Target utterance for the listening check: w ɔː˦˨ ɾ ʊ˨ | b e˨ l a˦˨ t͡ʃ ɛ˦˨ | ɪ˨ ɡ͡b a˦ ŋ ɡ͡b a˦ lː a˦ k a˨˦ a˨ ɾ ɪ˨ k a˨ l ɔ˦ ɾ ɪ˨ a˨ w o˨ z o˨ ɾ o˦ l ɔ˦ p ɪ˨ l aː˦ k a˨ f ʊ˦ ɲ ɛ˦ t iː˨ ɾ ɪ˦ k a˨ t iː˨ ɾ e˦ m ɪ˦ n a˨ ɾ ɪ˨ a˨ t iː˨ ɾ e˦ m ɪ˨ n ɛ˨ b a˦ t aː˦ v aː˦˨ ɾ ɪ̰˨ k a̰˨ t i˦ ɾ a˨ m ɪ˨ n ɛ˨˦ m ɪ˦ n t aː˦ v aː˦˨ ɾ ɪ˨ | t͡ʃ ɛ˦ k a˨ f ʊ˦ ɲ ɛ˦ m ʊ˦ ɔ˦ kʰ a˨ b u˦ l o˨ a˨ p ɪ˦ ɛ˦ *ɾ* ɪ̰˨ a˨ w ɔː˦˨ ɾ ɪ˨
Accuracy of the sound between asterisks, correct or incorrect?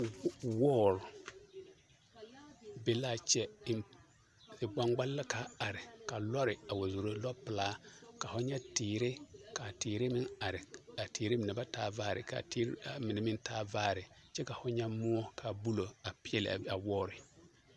incorrect